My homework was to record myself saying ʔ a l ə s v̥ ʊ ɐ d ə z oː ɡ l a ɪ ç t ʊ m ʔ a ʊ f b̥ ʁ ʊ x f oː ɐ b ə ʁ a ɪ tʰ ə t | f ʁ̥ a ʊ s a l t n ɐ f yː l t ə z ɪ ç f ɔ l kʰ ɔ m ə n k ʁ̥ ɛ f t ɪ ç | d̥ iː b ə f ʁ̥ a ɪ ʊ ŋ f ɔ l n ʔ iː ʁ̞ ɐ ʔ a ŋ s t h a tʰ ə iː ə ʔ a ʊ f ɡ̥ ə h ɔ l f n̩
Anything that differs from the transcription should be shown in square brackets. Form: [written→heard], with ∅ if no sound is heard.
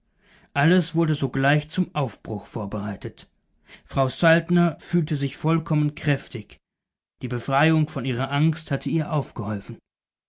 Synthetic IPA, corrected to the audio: ʔ a l ə s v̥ ʊ ɐ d ə z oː ɡ l a ɪ ç [t→t͡s] ʊ m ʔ a ʊ f b̥ ʁ ʊ x f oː ɐ b ə ʁ a ɪ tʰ ə t | f ʁ̥ a ʊ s a l t n ɐ f yː l t ə z ɪ ç f ɔ l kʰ ɔ m ə n k ʁ̥ ɛ f t ɪ ç | d̥ iː b ə f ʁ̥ a ɪ ʊ ŋ f ɔ [l→∅] n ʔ iː ʁ̞ ɐ ʔ a ŋ s t h a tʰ ə iː [ə→ɐ] ʔ a ʊ f ɡ̥ ə h ɔ l f n̩